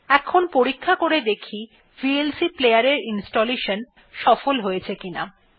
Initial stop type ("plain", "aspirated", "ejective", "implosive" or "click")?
aspirated